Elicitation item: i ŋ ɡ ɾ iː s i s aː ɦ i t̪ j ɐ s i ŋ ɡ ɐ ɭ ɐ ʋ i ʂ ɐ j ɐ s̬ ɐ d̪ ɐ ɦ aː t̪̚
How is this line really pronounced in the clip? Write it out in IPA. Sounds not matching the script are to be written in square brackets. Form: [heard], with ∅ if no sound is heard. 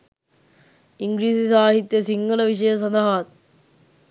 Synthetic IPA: i ŋ ɡ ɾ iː s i s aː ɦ i t̪ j ɐ s i ŋ ɡ ɐ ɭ ɐ ʋ i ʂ ɐ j ɐ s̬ ɐ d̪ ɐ ɦ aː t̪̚